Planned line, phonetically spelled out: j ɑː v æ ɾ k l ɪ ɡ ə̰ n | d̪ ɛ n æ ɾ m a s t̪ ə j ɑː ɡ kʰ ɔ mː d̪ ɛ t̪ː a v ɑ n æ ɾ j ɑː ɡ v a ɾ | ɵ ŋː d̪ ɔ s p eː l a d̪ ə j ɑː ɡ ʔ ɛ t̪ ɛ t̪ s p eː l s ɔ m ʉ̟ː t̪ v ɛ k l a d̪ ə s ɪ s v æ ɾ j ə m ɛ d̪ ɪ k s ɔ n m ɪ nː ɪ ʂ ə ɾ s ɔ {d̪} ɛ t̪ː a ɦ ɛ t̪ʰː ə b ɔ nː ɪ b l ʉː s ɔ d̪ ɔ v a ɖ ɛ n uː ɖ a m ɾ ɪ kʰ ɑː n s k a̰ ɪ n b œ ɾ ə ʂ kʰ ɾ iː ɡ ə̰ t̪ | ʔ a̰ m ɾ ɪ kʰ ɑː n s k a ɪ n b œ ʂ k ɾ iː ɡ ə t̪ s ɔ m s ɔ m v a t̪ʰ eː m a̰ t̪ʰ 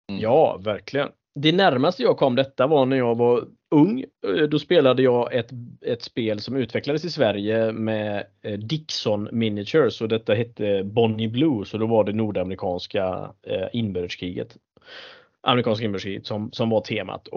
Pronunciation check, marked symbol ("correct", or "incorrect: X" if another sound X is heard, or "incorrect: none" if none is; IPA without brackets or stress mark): correct